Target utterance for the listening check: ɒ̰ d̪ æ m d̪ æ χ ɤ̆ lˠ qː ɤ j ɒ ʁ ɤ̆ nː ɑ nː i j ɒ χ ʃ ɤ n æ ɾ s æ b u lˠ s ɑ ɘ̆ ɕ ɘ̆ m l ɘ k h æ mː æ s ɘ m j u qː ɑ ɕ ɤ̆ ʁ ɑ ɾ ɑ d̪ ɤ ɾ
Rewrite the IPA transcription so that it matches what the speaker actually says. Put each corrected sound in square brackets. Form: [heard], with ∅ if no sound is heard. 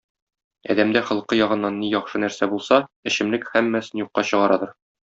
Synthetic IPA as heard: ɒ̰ d̪ æ m d̪ æ χ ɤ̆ lˠ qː ɤ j ɒ ʁ ɤ̆ nː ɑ nː i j ɒ χ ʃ ɤ n æ ɾ s æ b u lˠ s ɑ ɘ̆ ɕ ɘ̆ m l ɘ k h æ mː æ s ɘ [n] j u qː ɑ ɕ ɤ̆ ʁ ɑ ɾ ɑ d̪ ɤ ɾ